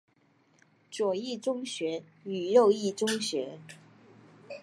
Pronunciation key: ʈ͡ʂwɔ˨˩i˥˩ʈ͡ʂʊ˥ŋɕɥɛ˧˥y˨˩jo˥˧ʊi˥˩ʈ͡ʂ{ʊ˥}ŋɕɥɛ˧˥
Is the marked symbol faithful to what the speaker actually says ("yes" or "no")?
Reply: yes